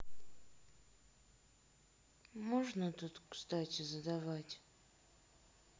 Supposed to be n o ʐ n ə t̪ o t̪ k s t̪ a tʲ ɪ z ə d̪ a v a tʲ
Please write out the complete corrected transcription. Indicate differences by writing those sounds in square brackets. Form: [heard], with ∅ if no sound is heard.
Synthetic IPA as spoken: [m] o ʐ n ə t̪ [u] t̪ k s t̪ a tʲ ɪ z ə d̪ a v a tʲ